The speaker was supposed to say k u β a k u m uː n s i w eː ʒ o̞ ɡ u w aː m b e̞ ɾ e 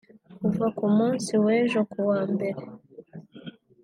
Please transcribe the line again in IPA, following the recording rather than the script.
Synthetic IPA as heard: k u v a k u m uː n s i w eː ʒ o̞ k u w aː m b e̞ ɾ e